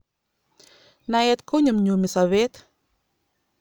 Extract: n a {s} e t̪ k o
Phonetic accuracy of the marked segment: incorrect: none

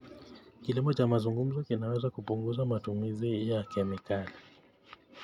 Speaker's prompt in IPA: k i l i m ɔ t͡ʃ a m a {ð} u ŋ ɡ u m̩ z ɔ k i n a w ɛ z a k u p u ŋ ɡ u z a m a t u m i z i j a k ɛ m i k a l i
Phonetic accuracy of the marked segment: incorrect: z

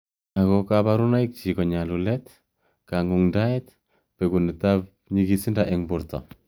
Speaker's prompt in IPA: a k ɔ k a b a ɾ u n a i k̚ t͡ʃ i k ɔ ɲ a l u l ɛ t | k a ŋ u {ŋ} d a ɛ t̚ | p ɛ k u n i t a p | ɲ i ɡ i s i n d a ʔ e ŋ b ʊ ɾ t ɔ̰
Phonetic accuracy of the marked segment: correct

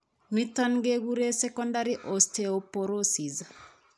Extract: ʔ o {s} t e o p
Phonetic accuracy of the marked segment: correct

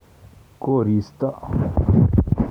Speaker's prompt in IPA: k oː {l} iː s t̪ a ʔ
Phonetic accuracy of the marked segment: incorrect: ɾ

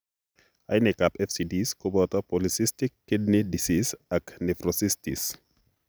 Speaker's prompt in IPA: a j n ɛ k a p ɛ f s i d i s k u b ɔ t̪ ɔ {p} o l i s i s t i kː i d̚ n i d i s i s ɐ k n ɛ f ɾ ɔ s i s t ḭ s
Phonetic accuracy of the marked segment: correct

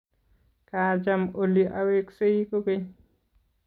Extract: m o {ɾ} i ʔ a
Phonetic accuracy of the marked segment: incorrect: l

